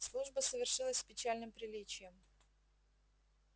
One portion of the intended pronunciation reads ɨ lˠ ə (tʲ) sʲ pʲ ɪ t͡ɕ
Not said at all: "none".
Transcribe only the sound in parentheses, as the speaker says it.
sʲ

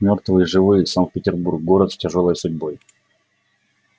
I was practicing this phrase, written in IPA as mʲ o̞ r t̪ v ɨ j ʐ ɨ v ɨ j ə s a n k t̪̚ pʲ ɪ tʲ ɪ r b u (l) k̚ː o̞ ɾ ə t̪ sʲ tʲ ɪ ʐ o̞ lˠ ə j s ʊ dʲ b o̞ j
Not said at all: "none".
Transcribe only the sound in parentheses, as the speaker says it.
r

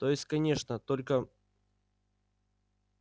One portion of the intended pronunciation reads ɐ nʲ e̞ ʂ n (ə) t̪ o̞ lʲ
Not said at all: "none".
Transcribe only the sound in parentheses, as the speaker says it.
ə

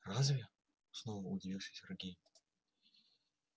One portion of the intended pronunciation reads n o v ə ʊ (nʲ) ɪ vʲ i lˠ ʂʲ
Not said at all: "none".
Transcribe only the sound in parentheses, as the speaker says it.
dʲ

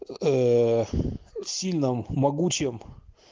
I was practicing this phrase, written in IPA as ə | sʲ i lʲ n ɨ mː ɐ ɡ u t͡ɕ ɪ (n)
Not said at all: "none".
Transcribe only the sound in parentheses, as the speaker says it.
m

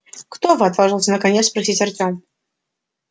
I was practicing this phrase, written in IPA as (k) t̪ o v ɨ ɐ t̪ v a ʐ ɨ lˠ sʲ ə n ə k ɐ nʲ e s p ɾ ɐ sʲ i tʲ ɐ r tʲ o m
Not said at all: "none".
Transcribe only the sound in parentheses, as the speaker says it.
k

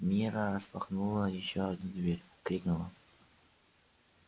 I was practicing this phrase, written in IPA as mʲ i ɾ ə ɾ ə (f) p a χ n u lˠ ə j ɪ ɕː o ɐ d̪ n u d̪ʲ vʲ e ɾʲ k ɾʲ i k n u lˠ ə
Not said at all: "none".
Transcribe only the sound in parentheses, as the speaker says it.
s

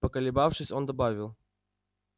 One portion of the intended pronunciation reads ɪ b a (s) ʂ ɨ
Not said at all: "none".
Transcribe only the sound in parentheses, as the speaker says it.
f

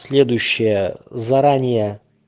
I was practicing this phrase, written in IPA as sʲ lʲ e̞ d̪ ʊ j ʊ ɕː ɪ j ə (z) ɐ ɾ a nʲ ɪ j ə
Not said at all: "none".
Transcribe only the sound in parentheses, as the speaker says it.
z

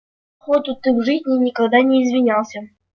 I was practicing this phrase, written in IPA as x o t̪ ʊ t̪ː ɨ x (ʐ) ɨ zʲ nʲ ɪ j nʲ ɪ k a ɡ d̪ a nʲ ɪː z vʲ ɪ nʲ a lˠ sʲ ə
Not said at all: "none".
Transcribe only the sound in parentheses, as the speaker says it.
ʐ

